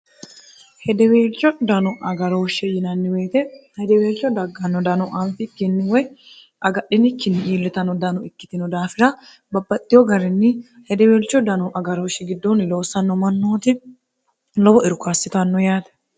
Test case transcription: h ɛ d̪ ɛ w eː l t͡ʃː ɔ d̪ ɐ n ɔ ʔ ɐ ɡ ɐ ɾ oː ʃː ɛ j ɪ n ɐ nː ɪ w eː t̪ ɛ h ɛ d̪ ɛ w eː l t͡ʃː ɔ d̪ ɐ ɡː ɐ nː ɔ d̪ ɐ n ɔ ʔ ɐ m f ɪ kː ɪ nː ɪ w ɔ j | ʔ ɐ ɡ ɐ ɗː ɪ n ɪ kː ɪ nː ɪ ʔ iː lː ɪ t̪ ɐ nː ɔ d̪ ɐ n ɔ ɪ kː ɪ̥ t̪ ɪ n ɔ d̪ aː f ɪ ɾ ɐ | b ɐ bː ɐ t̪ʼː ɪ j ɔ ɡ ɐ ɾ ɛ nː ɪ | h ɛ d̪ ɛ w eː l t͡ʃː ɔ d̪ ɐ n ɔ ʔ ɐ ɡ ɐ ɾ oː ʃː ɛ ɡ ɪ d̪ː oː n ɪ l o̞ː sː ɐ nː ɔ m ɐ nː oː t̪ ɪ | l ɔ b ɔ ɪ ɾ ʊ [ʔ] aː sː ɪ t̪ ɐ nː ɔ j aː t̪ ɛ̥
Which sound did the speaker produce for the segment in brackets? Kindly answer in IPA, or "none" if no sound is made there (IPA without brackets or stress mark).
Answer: k